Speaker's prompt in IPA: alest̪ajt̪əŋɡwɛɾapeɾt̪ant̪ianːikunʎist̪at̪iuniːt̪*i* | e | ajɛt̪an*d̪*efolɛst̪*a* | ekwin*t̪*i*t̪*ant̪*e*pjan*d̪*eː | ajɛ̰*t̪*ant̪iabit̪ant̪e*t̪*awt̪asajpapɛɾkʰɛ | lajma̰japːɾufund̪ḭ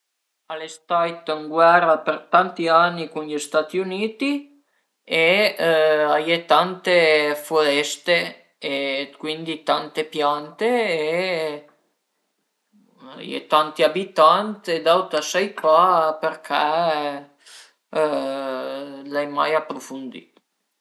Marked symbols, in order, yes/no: yes, no, no, no, yes, yes, no, yes, no

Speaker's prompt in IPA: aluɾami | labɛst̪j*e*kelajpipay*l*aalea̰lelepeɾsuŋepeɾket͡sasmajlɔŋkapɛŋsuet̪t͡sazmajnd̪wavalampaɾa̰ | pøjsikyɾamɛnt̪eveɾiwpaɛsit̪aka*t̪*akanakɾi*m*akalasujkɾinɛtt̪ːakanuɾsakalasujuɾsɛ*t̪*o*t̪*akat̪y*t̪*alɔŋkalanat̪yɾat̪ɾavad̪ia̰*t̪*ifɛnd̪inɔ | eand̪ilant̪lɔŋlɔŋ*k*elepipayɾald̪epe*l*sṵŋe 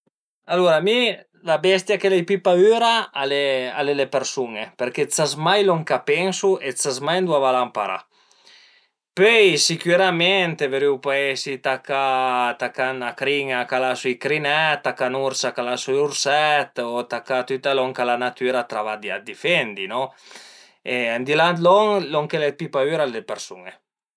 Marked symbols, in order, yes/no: no, no, yes, no, yes, yes, yes, no, yes, no

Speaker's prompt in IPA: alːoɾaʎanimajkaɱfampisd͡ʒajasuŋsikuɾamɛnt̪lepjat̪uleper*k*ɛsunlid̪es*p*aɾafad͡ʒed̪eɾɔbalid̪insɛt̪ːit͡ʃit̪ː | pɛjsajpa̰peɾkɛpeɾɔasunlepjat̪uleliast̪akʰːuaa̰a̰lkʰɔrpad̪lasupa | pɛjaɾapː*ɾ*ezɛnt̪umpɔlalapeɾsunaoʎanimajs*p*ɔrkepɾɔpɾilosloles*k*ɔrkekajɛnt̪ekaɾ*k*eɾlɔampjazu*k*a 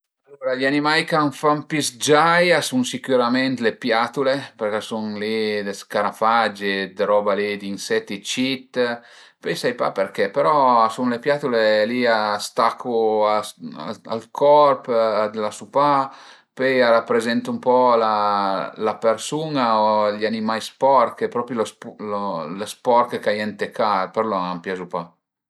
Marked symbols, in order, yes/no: yes, no, yes, yes, no, no, no

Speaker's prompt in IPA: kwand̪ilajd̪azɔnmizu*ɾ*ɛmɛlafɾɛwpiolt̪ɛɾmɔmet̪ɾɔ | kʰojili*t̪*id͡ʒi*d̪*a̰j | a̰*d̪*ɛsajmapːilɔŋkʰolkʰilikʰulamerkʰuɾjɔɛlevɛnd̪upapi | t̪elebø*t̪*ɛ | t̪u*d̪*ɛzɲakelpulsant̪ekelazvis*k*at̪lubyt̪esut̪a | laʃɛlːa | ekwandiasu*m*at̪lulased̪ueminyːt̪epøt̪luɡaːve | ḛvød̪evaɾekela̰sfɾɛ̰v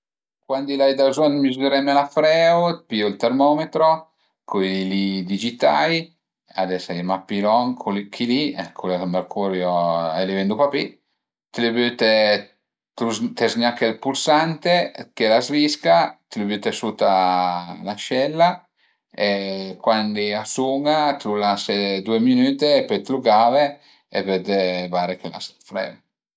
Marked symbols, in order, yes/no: yes, no, no, yes, yes, no, yes, no

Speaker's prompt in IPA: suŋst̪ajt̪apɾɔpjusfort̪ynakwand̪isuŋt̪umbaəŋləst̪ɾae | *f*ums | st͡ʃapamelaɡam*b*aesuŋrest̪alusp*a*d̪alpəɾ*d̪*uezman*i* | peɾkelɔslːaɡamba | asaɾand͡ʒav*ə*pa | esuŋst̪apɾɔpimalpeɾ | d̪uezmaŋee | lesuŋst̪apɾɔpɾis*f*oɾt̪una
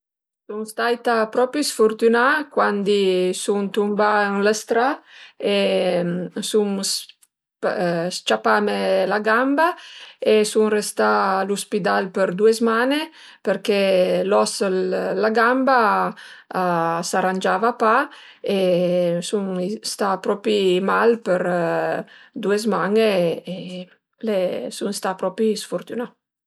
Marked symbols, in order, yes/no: no, yes, no, yes, no, no, yes

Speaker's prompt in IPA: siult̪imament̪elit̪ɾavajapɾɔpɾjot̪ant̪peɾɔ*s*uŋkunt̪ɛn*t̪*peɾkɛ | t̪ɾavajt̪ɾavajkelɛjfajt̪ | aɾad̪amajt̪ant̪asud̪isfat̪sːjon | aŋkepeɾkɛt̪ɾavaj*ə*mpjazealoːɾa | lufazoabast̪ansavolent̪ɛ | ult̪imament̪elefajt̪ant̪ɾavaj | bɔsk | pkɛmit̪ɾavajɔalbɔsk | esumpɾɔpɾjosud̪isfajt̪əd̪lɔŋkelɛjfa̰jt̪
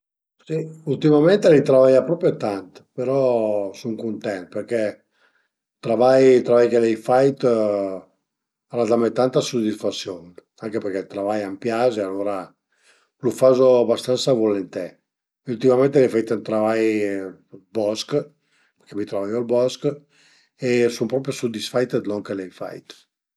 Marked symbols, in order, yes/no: yes, yes, no

